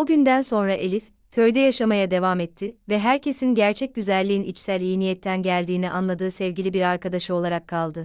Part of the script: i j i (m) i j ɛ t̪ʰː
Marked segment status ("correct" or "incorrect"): incorrect